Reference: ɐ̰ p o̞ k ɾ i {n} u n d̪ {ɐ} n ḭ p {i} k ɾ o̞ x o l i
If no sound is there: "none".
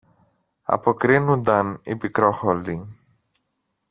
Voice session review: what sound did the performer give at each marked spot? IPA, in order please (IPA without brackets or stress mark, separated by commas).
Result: n, ɐ, i